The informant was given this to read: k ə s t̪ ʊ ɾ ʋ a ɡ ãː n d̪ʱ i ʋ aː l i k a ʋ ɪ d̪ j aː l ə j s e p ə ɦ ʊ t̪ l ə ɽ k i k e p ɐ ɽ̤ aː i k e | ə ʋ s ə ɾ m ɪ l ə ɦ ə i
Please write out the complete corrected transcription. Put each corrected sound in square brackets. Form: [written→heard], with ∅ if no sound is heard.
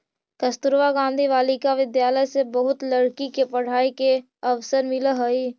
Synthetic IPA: k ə s t̪ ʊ ɾ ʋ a ɡ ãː n d̪ʱ i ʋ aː l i k a ʋ ɪ d̪ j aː l ə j s e [p→b] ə ɦ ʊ t̪ l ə ɽ k i k e p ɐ ɽ̤ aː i k e | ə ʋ s ə ɾ m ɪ l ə ɦ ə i